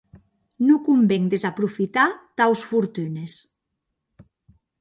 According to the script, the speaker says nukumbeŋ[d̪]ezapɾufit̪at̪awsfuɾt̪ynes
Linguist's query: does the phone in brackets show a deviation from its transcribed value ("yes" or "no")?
no